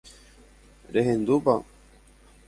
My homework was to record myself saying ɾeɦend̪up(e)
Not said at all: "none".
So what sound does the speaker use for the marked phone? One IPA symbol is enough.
a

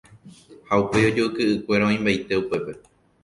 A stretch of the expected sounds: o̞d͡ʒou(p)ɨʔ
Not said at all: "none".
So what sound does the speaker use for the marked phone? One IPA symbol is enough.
k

